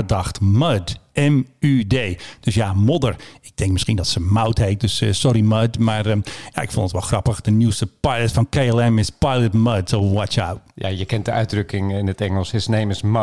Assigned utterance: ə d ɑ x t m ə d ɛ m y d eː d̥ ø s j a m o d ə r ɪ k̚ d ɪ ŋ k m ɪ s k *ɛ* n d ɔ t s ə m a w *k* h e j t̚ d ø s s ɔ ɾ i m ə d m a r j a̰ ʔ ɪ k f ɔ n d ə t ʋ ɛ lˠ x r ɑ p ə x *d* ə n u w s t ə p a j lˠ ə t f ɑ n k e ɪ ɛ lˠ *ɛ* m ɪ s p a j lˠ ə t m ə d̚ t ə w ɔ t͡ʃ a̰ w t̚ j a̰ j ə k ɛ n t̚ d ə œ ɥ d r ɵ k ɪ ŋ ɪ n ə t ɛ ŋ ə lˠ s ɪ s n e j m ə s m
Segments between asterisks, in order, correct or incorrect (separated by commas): incorrect, incorrect, correct, correct